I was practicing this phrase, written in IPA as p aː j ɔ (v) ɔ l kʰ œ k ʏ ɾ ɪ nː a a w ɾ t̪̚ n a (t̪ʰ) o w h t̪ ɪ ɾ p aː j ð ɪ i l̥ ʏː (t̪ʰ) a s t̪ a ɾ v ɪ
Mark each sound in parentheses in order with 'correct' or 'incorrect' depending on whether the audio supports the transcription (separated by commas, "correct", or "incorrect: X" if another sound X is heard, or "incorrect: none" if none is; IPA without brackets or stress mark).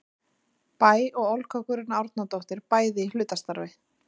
incorrect: ɣ, incorrect: t̪, incorrect: t̪